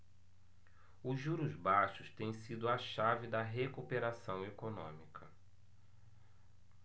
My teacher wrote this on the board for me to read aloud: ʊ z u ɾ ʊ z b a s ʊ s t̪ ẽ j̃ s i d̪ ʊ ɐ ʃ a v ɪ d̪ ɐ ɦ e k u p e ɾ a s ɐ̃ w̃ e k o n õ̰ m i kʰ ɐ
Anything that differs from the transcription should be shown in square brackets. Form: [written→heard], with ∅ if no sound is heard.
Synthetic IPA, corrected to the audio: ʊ [z→ʒ] u ɾ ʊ z b a [s→ʃ] ʊ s t̪ ẽ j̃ s i d̪ ʊ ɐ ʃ a v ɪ d̪ ɐ ɦ e k u p e ɾ a s ɐ̃ w̃ e k o n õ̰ m i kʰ ɐ